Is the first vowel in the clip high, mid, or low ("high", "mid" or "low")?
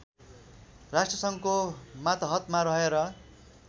low